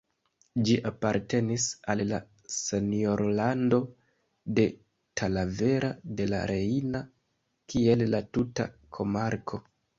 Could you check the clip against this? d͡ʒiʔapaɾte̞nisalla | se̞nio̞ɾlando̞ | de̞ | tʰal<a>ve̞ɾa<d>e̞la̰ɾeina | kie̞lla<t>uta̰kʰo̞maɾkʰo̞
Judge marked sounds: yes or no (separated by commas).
yes, yes, yes